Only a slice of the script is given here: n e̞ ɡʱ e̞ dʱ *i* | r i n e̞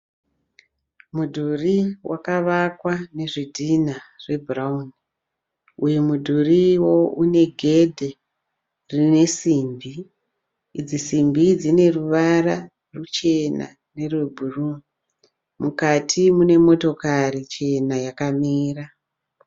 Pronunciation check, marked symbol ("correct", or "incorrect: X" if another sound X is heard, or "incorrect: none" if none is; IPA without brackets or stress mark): incorrect: e